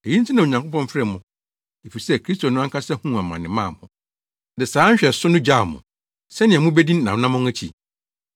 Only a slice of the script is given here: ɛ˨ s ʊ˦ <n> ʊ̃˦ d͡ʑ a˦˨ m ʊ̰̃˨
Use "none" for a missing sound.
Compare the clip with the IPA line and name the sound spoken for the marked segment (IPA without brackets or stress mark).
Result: n